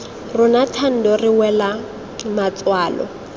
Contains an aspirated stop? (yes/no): yes